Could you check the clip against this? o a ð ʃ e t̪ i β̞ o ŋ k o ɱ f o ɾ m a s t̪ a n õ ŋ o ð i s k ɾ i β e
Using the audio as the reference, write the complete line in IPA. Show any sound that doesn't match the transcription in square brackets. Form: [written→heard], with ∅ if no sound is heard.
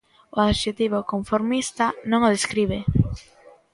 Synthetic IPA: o a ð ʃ e t̪ i β̞ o [ŋ→∅] k o ɱ f o ɾ m [a→i] s t̪ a n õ ŋ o ð [i→e] s k ɾ i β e